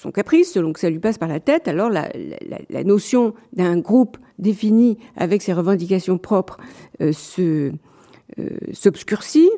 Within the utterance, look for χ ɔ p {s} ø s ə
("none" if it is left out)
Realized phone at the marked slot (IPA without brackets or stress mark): χ